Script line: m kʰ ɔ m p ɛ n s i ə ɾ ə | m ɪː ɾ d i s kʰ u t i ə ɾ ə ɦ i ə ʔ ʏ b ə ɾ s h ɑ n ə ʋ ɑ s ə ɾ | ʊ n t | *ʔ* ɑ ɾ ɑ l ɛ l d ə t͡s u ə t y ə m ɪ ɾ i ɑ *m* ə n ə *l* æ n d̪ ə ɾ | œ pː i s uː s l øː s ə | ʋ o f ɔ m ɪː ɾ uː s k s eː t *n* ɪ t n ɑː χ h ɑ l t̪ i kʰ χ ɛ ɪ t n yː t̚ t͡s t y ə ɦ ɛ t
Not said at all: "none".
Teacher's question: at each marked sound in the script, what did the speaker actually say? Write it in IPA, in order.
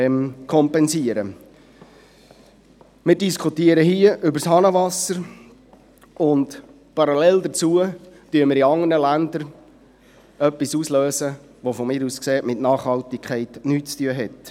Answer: p, ŋ, l, m

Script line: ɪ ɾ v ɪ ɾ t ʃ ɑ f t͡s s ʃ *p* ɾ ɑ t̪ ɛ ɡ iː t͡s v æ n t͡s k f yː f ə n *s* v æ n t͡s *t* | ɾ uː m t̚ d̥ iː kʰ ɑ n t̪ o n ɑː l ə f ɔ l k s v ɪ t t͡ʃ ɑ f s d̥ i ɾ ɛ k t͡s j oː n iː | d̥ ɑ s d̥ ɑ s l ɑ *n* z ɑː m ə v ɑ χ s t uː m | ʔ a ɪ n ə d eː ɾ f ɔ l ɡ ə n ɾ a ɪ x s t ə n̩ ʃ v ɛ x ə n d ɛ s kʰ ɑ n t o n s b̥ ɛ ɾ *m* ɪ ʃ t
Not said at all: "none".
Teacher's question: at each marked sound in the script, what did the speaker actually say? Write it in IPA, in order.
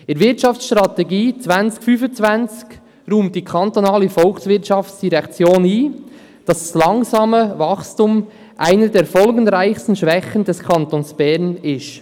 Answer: t, t͡s, k, ŋ, n

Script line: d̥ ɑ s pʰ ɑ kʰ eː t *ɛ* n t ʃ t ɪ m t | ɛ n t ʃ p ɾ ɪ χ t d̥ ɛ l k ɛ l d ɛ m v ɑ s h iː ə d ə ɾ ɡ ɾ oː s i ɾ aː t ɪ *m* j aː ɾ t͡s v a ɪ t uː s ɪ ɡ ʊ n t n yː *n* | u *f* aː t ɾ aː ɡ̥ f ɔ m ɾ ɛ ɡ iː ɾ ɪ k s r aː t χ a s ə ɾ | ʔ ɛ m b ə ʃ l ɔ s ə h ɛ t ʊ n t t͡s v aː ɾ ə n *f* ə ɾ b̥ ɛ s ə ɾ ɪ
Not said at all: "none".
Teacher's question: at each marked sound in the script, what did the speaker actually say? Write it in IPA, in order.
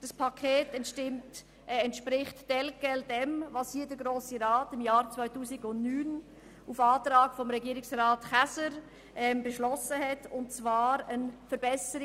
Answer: ɛ, m, n, f, f

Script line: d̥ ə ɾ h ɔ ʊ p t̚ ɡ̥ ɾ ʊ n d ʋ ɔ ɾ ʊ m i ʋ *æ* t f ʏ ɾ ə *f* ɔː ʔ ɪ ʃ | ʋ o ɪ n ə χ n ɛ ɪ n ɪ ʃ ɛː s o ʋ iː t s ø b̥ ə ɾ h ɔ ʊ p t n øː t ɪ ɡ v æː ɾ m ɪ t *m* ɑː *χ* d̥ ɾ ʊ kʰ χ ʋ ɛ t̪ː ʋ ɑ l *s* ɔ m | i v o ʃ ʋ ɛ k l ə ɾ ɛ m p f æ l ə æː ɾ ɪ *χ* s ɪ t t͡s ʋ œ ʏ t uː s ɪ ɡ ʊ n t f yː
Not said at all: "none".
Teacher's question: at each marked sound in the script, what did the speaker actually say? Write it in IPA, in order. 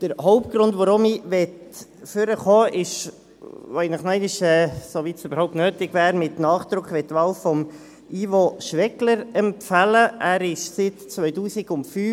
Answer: ɛ, χ, n, χ, f, ʃ

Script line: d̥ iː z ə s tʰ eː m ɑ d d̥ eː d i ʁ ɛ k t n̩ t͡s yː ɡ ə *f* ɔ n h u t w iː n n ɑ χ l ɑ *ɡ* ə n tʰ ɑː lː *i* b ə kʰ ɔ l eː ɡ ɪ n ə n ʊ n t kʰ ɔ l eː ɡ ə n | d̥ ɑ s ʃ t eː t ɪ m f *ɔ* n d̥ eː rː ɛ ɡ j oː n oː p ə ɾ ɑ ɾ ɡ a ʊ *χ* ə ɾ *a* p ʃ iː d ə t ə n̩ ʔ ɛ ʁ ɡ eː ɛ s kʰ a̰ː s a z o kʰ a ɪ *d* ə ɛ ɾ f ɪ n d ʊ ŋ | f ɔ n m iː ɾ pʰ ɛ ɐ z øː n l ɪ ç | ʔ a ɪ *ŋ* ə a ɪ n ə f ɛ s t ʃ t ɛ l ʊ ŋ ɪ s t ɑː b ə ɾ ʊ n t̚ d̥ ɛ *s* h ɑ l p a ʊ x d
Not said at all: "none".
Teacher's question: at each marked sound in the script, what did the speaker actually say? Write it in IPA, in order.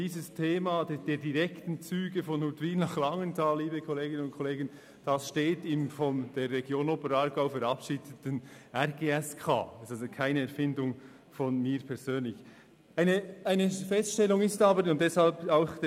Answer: f, ŋ, iː, ɔ, f, ɑ, n, n, s

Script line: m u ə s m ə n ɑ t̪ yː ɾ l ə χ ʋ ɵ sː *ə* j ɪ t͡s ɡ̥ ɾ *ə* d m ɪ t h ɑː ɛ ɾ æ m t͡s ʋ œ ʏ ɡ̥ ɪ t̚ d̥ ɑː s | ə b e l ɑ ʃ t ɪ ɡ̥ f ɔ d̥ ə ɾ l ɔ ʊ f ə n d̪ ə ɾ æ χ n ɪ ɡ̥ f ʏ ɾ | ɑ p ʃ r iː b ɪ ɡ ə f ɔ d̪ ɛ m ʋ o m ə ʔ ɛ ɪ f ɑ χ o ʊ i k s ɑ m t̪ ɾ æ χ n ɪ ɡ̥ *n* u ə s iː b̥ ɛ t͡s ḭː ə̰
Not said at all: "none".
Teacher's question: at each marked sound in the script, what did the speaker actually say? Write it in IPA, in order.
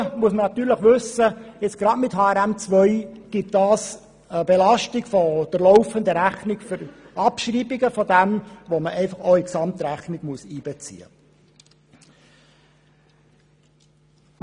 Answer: ə, ɑ, m

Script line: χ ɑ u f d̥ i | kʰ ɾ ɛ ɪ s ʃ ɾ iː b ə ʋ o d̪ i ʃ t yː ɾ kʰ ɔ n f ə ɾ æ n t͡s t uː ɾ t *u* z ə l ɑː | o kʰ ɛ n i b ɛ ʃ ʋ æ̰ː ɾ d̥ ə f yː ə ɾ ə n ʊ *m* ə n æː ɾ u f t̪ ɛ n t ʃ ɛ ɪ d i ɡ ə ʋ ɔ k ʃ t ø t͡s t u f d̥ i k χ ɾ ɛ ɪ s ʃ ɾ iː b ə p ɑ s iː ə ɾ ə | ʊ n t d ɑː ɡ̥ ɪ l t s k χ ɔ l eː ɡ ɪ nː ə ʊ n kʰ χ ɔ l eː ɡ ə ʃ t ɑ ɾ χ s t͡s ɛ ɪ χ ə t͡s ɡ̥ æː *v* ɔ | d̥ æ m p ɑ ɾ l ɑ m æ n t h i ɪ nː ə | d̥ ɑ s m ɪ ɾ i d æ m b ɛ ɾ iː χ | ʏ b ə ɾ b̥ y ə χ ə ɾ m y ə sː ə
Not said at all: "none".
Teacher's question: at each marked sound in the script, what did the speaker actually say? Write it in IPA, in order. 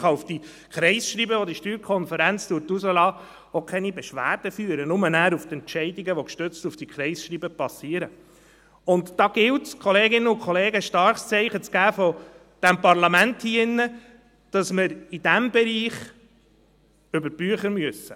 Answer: u, m, f

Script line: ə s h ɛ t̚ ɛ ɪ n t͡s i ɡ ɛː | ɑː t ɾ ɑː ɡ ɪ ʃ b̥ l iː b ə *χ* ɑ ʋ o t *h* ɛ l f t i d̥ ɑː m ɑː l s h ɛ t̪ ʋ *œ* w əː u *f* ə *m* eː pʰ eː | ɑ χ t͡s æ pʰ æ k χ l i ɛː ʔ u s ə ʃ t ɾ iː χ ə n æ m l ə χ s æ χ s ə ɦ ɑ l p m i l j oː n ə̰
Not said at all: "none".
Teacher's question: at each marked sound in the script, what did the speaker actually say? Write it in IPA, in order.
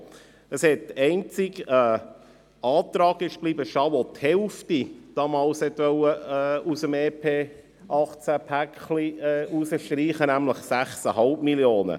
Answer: ʃ, h, œ, s, m

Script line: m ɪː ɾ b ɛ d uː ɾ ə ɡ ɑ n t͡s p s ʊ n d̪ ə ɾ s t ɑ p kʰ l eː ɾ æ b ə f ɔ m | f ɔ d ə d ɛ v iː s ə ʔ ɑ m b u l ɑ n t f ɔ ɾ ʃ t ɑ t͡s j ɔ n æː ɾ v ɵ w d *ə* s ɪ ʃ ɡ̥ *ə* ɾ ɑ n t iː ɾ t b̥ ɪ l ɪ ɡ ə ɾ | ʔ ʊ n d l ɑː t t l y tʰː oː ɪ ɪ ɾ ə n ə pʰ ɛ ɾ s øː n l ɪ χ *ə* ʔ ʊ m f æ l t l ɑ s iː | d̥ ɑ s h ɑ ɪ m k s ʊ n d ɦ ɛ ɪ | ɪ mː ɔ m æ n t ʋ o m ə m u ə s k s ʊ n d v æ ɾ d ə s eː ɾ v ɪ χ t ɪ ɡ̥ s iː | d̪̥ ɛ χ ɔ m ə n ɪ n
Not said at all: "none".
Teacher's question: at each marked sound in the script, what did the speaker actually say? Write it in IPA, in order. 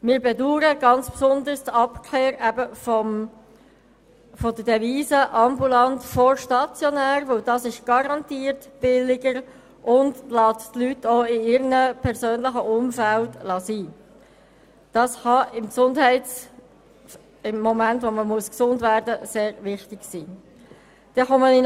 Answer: ɑ, ɑ, ə

